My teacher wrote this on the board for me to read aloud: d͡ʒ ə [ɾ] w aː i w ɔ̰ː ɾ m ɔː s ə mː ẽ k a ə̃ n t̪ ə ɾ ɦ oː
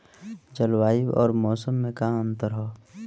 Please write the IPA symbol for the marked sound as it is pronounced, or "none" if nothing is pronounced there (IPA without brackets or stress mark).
l